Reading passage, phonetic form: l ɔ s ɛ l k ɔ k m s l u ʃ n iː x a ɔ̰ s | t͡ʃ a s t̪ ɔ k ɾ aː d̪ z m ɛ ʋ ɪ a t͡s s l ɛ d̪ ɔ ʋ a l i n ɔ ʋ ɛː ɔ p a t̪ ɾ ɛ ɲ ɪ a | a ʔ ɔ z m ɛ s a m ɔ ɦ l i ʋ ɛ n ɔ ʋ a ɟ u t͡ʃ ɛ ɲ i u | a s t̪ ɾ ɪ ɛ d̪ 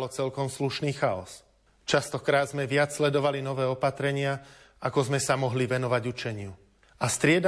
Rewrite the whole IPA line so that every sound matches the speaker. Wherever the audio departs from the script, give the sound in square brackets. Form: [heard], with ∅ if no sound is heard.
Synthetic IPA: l ɔ [t͡s] ɛ l k ɔ [∅] m s l u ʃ n iː x a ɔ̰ s | t͡ʃ a s t̪ ɔ k ɾ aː d̪ z m ɛ ʋ ɪ a t͡s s l ɛ d̪ ɔ ʋ a l i n ɔ ʋ ɛː ɔ p a t̪ ɾ ɛ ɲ ɪ a | a [k] ɔ z m ɛ s a m ɔ ɦ l i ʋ ɛ n ɔ ʋ a ɟ u t͡ʃ ɛ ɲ [ɪ] u | a s t̪ ɾ ɪ ɛ d̪